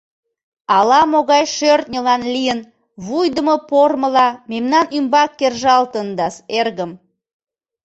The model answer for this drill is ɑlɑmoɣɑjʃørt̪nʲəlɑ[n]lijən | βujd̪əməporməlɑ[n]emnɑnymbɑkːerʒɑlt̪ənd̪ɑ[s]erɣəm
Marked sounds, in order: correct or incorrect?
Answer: correct, incorrect: m, correct

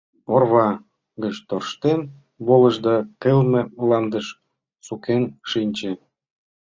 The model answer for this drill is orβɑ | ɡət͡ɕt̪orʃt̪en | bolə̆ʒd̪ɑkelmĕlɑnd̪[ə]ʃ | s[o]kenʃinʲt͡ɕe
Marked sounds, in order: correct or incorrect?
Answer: correct, incorrect: u

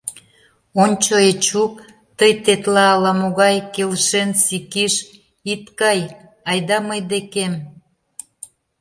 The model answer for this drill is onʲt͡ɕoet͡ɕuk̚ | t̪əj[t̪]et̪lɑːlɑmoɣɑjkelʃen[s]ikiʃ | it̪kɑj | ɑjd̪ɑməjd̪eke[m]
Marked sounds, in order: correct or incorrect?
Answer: correct, correct, correct

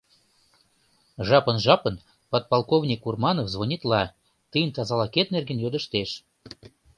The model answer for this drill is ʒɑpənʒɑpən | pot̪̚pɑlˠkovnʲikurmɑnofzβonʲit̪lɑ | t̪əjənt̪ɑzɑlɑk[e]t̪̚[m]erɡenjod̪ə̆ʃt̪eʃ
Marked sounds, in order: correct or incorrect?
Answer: correct, incorrect: n

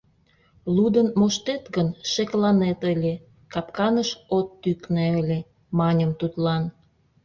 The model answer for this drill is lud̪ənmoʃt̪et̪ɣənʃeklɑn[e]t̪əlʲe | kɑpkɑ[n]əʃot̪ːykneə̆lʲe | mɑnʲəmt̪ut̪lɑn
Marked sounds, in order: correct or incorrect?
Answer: correct, correct

